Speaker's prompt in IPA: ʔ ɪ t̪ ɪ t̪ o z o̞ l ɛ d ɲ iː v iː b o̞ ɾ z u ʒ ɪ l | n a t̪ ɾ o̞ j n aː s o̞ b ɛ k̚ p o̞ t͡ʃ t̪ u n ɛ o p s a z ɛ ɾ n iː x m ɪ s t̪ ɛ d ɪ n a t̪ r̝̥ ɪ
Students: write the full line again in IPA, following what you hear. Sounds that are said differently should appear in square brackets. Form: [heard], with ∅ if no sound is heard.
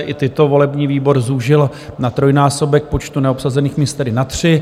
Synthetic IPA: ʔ ɪ t̪ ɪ t̪ o [v] o̞ l ɛ [b] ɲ iː v iː b o̞ ɾ z u ʒ ɪ l | n a t̪ ɾ o̞ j n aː s o̞ b ɛ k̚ p o̞ t͡ʃ t̪ u n ɛ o p s a z ɛ [∅] n iː x m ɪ s t̪ ɛ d ɪ n a t̪ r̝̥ ɪ